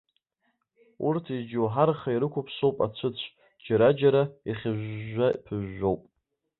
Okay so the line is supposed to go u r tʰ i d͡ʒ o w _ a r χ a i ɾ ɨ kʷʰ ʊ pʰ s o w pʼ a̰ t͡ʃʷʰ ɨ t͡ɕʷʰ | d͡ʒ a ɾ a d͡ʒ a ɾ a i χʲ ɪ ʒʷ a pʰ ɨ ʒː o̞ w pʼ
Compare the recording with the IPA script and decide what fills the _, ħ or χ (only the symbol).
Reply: ħ